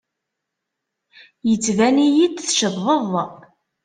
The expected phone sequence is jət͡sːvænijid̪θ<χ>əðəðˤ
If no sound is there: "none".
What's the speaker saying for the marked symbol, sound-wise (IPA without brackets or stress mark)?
ʃ